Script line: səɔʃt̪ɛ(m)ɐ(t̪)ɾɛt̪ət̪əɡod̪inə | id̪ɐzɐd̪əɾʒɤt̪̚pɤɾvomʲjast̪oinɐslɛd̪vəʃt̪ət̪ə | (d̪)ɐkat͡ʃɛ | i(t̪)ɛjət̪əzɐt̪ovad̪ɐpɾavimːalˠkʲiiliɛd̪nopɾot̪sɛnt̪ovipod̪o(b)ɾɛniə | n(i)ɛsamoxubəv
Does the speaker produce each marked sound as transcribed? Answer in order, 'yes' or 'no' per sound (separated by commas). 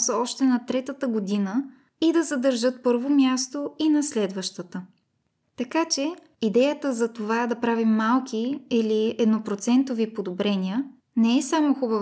no, yes, no, no, yes, no